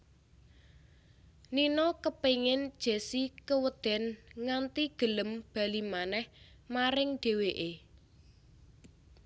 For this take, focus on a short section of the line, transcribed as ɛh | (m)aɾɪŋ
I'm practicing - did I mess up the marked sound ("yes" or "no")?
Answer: no